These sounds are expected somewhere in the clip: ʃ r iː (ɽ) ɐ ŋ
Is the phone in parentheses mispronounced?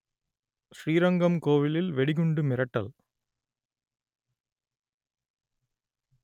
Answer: yes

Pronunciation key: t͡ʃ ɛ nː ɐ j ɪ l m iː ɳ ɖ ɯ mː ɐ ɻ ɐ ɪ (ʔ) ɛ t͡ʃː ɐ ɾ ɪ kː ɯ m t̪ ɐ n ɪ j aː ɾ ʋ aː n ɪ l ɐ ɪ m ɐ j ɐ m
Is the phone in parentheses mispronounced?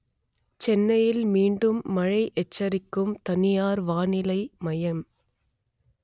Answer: no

